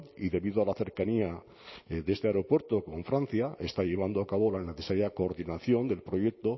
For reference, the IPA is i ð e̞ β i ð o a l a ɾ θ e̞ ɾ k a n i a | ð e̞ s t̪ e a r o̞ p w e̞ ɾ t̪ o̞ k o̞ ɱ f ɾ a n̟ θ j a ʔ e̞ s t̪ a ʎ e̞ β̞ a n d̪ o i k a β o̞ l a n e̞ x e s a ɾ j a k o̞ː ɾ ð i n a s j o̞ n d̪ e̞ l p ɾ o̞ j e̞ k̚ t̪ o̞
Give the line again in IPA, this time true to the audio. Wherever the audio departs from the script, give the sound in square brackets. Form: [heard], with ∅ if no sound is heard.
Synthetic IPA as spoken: i ð e̞ β i ð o a l a [∅] θ e̞ ɾ k a n i a | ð e̞ s t̪ e a [ɾ] o̞ p w e̞ ɾ t̪ o̞ k o̞ ɱ f ɾ a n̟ θ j a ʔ e̞ s t̪ a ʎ e̞ β̞ a n d̪ o [a] k a β o̞ l a n e̞ [θ] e s a ɾ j a k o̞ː ɾ ð i n a [θ] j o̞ n d̪ e̞ l p ɾ o̞ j e̞ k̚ t̪ o̞